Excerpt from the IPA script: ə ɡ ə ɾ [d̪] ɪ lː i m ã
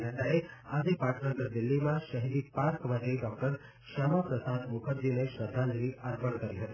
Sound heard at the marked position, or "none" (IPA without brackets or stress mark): d̪